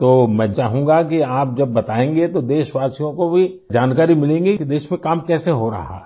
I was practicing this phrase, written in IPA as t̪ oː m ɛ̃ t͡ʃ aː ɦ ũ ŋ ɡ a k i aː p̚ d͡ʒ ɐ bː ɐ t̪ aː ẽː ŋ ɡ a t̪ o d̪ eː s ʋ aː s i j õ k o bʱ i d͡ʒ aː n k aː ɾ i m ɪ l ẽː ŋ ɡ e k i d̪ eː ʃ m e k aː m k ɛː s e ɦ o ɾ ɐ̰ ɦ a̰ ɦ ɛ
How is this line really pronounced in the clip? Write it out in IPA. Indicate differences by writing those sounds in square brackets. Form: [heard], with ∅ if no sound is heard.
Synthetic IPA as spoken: t̪ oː m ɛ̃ t͡ʃ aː ɦ ũ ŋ ɡ a k i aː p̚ d͡ʒ ɐ bː ɐ t̪ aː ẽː ŋ ɡ [e] t̪ o d̪ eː [ʃ] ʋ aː s i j õ k o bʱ i d͡ʒ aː n k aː ɾ i m ɪ l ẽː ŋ ɡ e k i d̪ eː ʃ m [ẽ] k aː m k ɛː s e ɦ o ɾ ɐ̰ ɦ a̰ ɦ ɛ